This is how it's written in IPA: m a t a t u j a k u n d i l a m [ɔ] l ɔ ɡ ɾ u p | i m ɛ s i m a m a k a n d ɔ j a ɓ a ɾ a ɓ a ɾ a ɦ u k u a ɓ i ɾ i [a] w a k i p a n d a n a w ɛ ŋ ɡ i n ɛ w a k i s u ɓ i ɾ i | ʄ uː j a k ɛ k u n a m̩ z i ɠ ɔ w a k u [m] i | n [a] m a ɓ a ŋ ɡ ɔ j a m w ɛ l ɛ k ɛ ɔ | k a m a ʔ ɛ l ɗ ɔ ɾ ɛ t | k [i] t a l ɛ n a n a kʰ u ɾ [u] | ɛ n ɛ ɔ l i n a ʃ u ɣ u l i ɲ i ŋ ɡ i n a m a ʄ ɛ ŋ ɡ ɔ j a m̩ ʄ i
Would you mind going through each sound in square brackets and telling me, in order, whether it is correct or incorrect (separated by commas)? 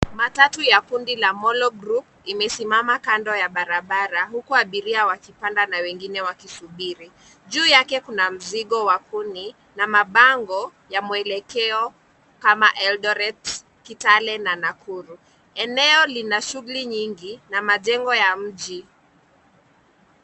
correct, correct, incorrect, correct, correct, correct